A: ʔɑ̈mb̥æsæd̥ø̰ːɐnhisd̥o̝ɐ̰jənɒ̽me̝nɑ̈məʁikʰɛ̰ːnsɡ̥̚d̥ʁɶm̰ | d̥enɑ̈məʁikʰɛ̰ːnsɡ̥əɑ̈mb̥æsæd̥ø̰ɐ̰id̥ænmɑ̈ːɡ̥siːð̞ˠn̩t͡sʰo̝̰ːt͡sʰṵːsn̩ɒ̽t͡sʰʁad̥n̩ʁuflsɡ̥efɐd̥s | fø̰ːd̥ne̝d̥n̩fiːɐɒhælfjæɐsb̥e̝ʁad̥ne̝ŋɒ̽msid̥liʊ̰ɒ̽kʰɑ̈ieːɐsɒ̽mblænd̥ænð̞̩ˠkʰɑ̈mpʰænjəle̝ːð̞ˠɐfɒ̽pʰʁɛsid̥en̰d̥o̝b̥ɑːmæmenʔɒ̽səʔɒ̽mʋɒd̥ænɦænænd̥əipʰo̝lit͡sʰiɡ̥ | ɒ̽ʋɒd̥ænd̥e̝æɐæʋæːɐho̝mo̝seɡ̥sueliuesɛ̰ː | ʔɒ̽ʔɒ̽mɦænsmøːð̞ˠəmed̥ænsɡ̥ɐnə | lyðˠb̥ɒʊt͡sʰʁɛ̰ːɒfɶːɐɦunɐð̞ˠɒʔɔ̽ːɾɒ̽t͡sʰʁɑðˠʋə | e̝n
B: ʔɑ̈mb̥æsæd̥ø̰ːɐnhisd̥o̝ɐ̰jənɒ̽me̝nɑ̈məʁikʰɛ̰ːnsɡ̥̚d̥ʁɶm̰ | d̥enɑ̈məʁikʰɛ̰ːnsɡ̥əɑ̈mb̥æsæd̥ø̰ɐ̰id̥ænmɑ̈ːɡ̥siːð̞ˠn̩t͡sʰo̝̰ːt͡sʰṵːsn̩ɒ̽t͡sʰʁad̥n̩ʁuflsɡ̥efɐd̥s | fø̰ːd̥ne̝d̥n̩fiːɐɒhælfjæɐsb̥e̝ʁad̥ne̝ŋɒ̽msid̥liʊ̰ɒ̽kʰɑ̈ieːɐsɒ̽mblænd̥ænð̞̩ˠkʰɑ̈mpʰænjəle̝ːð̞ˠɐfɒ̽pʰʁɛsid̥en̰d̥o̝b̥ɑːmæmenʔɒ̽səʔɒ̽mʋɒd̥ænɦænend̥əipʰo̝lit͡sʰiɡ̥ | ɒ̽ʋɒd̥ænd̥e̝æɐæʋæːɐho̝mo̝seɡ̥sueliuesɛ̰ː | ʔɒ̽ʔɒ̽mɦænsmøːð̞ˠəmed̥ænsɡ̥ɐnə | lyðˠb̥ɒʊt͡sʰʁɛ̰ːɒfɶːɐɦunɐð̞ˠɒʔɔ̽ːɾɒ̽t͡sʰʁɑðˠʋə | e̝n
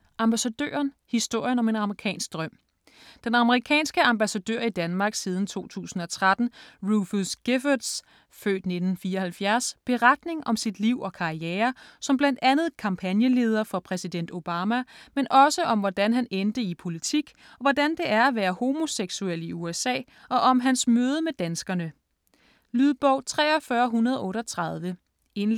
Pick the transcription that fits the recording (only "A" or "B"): B